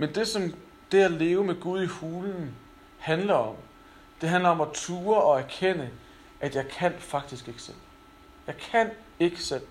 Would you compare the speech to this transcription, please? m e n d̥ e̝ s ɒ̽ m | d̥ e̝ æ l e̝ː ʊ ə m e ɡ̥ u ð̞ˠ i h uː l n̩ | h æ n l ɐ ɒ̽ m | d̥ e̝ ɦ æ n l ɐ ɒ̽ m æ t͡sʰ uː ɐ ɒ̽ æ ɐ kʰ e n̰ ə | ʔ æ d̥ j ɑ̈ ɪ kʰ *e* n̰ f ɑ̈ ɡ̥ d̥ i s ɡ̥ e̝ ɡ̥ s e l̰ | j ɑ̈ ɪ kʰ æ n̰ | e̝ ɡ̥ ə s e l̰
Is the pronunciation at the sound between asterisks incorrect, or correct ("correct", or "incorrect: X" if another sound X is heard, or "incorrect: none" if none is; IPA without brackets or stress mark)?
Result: incorrect: æ